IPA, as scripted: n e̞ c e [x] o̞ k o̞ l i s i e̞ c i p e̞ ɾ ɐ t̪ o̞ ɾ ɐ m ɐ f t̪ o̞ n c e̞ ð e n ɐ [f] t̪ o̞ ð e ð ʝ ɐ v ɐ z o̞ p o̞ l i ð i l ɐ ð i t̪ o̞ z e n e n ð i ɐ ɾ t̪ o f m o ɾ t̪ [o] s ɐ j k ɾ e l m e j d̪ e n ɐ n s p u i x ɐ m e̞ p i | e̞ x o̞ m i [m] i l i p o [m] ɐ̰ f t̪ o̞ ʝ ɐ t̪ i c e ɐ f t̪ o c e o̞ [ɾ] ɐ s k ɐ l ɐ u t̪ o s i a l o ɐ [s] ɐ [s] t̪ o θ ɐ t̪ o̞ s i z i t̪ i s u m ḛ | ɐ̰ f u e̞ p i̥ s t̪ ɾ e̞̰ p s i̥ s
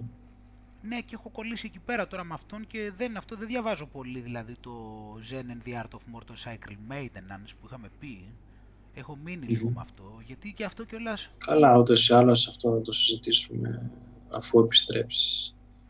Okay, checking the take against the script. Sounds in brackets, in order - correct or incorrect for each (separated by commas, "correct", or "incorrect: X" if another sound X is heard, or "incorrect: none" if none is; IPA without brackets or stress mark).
correct, correct, correct, incorrect: n, correct, incorrect: l, correct, incorrect: f